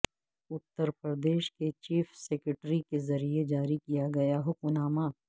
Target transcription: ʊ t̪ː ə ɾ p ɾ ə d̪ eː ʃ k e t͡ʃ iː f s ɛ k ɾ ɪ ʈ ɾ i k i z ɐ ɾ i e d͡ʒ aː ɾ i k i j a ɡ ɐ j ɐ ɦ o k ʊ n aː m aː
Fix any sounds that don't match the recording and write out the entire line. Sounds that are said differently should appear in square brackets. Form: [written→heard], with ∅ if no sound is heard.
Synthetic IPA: ʊ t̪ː ə ɾ p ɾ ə d̪ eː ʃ k e t͡ʃ iː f s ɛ k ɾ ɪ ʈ ɾ i k [i→e] z ɐ ɾ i e d͡ʒ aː ɾ i k i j a ɡ ɐ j [ɐ→a] ɦ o k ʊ n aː m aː